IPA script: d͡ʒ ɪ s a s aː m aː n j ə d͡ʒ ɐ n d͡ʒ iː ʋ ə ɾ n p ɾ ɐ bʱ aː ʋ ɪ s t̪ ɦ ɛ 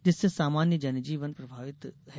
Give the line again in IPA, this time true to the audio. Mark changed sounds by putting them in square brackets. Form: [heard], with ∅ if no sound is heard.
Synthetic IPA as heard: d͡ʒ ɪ s [e] s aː m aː n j ə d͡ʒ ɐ n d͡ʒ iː ʋ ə [∅] n p ɾ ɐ bʱ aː ʋ ɪ [∅] t̪ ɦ ɛ